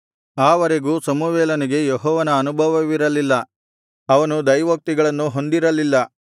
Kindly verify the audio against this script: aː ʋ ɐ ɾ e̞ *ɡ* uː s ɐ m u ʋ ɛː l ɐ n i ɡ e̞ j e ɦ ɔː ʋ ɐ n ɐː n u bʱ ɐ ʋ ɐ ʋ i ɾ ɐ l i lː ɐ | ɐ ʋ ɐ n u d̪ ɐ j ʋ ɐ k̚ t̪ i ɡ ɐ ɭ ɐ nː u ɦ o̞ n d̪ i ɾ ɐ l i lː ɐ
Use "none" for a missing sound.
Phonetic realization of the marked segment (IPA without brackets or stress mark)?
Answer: ɡ